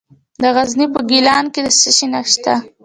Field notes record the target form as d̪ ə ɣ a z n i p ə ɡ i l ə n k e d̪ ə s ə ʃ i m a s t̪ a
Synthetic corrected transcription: d̪ ə ɣ a z n i p ə ɡ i l ɑ n k e d̪ ə s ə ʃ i n a ʃ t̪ a